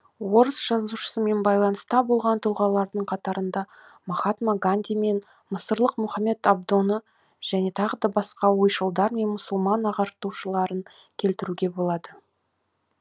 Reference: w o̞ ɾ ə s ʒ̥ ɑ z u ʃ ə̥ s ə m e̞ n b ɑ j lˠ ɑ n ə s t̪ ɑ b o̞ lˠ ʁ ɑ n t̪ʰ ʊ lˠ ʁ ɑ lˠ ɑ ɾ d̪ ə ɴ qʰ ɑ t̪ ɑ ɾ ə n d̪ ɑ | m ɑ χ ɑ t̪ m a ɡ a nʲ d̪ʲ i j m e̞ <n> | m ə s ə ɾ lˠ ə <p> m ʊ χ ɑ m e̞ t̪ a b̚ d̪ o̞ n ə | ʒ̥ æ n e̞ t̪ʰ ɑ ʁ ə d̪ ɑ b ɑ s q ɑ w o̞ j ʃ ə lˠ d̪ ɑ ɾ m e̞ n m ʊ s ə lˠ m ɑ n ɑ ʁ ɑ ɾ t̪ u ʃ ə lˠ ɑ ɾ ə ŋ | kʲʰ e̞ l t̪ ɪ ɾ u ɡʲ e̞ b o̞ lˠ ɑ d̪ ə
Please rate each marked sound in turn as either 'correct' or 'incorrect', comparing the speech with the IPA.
correct, incorrect: q

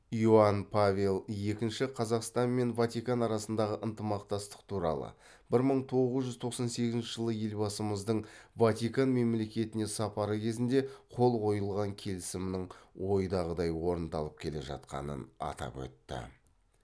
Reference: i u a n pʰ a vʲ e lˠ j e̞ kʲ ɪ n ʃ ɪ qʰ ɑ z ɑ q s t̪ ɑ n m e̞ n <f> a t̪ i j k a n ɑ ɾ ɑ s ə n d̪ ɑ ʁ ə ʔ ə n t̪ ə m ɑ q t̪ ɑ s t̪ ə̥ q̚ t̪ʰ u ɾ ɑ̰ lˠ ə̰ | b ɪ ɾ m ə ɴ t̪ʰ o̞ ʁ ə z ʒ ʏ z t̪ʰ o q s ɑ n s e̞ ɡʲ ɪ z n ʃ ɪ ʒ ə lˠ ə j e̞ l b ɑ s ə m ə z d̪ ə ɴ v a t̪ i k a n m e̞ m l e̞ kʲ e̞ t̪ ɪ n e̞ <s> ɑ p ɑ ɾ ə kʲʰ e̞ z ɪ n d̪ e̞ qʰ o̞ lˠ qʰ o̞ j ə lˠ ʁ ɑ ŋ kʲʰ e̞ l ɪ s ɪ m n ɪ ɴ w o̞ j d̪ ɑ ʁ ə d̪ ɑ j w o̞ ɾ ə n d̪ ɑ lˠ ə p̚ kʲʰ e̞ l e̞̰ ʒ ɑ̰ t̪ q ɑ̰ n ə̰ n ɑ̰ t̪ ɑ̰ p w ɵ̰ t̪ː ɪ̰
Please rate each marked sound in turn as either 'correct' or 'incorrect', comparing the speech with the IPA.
incorrect: v, correct

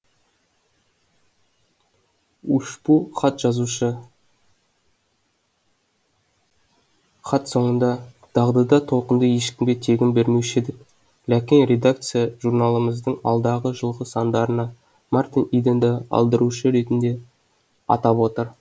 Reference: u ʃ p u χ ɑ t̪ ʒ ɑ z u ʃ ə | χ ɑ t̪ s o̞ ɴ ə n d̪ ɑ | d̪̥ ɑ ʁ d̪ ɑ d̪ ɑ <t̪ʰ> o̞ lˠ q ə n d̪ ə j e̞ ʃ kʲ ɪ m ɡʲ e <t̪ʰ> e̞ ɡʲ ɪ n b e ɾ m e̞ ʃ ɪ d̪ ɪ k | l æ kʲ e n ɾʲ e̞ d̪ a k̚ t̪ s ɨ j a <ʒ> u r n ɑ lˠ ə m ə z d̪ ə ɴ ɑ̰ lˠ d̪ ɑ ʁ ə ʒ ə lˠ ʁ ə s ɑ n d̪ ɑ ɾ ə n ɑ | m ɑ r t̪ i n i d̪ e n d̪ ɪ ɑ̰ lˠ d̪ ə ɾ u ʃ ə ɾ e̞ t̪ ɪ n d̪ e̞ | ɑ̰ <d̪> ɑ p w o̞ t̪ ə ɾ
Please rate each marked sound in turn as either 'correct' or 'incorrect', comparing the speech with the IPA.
correct, correct, correct, incorrect: t̪

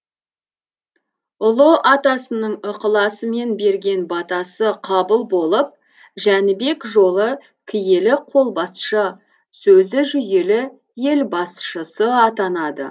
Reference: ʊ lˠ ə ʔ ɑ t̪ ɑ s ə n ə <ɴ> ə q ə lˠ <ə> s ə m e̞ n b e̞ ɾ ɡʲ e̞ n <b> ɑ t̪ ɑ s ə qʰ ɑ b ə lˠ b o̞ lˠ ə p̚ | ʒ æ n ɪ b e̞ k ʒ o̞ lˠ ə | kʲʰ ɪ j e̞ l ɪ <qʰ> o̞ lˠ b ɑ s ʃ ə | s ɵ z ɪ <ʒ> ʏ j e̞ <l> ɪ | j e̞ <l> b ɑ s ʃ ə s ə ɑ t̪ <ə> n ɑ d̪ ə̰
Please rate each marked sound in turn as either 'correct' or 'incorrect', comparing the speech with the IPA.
correct, incorrect: ɑ, correct, correct, correct, correct, correct, incorrect: ɑ

